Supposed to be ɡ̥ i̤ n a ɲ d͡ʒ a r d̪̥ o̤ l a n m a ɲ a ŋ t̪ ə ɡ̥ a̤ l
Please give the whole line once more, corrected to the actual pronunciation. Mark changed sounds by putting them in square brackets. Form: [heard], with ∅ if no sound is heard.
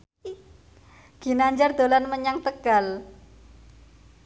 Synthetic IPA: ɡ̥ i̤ n a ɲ d͡ʒ a r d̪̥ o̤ l a n m [ə] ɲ a ŋ t̪ ə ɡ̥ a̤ l